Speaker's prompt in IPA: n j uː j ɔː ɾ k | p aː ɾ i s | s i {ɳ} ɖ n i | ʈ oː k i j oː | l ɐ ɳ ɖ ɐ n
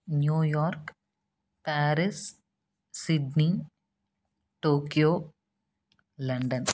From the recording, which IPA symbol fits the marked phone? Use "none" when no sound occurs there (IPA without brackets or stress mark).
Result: none